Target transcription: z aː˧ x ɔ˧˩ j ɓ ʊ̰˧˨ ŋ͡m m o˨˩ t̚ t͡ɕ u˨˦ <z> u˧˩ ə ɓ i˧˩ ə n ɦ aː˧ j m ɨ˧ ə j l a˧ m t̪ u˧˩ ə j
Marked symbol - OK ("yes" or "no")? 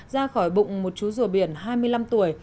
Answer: yes